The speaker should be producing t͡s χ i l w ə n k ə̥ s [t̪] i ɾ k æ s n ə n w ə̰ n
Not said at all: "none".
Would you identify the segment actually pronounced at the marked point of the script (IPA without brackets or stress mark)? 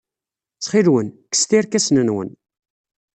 t̪